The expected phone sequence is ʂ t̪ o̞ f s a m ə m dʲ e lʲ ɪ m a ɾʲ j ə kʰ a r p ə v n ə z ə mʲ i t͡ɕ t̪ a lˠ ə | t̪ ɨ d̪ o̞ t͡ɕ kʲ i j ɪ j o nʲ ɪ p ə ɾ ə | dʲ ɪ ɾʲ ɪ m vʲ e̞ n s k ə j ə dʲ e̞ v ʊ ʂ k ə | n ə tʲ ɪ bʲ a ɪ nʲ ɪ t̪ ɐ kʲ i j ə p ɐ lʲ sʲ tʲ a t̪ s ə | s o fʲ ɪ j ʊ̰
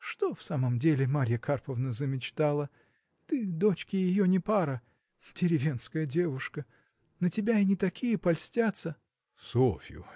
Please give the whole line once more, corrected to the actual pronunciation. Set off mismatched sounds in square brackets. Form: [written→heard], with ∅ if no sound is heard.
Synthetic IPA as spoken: ʂ t̪ o̞ f s a m ə m dʲ e lʲ ɪ m a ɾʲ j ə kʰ a r p ə v n ə z ə mʲ [i→ɪ] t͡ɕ t̪ a lˠ ə | t̪ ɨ d̪ o̞ t͡ɕ kʲ [i→ɪ] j ɪ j o nʲ ɪ p [ə→a] ɾ ə | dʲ ɪ ɾʲ ɪ [m→∅] vʲ e̞ n s k ə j ə dʲ e̞ v ʊ ʂ k ə | n ə tʲ ɪ bʲ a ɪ nʲ ɪ t̪ ɐ kʲ i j ə p ɐ lʲ sʲ tʲ a t̪ s ə | s o fʲ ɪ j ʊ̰